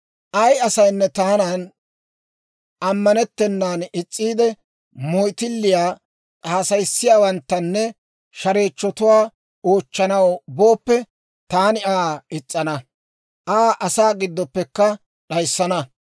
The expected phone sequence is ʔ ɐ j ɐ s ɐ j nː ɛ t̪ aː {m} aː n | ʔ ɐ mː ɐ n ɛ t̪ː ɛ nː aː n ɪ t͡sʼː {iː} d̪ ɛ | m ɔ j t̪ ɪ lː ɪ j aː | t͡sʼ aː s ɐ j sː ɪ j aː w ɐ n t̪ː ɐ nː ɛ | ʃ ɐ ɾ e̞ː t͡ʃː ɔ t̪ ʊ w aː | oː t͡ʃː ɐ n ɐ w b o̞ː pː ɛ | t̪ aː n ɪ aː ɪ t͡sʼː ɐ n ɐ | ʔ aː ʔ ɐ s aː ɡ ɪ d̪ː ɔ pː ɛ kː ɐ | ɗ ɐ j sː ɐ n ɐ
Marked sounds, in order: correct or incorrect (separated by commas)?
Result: incorrect, correct